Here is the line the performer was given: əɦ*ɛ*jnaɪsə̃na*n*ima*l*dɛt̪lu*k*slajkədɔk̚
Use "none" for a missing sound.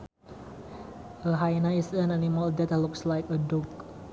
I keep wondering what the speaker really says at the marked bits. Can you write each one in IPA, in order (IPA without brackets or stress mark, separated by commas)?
a, n, l, k